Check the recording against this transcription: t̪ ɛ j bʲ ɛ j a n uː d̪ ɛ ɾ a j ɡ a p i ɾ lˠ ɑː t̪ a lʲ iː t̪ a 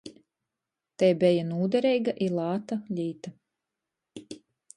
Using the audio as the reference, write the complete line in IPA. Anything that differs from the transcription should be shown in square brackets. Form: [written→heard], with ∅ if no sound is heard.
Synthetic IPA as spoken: t̪ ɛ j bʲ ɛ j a n uː d̪ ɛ ɾ [a→ɛ] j ɡ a [p→ʔ] i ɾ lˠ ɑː t̪ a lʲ iː t̪ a

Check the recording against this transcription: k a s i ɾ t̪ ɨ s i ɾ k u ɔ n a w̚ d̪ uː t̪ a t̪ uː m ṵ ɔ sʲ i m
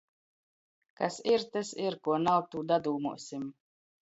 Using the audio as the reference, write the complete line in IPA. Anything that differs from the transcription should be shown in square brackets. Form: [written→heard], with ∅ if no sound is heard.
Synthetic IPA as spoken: k a s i ɾ t̪ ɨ s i ɾ k u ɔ n a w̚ [d̪→t̪] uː [t̪→d̪] a [t̪→d̪] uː m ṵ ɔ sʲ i m

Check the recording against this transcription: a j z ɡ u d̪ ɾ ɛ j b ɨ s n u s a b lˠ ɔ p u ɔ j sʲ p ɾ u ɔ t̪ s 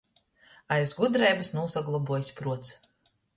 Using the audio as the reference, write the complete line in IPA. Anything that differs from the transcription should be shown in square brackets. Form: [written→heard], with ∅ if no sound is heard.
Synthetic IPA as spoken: a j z ɡ u d̪ ɾ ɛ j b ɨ s n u s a [b→ɡ] lˠ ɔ [p→b] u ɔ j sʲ p ɾ u ɔ t̪ s

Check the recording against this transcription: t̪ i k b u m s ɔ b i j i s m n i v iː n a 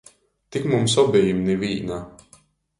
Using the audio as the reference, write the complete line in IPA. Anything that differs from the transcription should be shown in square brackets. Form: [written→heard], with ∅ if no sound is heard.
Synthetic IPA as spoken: t̪ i k [b→m] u m s ɔ b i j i [s→∅] m n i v iː n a

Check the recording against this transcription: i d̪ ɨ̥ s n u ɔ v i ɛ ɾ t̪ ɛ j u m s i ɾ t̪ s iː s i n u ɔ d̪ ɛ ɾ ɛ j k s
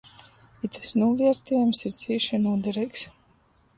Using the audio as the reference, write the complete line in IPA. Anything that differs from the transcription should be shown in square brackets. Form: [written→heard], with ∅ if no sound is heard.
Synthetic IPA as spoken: i [d̪→t̪] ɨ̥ s n u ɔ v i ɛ ɾ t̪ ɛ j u m s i ɾ t̪ s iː [s→ʃ] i n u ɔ d̪ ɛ ɾ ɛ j k s

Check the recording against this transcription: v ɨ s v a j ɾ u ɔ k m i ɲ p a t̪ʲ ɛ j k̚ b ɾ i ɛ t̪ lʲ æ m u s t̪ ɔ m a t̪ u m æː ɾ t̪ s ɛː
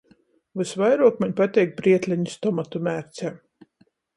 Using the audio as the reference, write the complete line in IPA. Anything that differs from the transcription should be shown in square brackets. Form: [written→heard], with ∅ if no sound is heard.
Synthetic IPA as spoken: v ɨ s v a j ɾ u ɔ k m [i→a] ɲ p a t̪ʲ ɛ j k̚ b ɾ i ɛ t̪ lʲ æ [m→ɲ] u s t̪ ɔ m a t̪ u m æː ɾ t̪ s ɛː

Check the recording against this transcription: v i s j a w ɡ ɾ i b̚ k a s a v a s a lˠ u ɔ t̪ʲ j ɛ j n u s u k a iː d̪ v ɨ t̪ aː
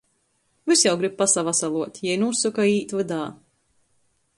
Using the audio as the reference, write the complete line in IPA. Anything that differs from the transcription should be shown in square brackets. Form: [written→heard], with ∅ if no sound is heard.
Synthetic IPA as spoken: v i s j a w ɡ ɾ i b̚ [k→p] a s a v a s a lˠ u ɔ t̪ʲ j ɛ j n u s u k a iː [d̪→t̪] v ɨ [t̪→d̪] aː

